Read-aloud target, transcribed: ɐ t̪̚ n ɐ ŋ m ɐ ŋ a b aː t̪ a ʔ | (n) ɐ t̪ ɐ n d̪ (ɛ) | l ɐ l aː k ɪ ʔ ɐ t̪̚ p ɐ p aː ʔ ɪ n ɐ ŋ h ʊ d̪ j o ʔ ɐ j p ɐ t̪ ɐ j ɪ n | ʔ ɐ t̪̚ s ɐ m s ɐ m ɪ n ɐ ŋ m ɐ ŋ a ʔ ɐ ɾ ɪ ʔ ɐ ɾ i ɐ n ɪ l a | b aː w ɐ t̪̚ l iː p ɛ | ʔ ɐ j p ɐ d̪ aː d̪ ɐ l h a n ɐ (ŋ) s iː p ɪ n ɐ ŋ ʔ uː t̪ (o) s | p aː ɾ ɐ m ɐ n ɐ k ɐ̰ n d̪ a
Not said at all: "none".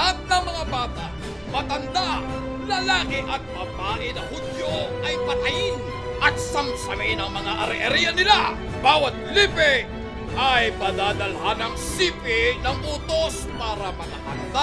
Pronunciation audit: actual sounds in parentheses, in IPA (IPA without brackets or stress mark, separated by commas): m, a, ŋ, o